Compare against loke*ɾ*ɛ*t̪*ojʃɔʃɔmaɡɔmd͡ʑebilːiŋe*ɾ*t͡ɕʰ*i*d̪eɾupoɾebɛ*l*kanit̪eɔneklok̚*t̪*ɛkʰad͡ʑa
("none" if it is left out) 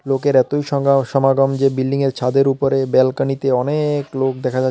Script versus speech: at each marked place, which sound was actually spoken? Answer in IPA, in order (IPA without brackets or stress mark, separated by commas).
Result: ɾ, t̪, ɾ, a, l, d̪